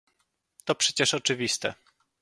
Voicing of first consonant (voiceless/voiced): voiceless